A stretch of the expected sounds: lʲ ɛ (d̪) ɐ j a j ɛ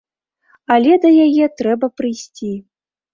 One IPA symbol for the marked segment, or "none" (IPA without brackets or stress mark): d̪